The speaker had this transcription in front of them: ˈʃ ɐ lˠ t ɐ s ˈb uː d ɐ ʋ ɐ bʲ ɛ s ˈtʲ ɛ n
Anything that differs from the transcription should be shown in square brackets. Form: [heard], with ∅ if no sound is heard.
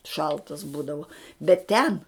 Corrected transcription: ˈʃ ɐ lˠ t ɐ s ˈb uː d ɐ ʋ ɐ bʲ ɛ [t] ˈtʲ ɛ n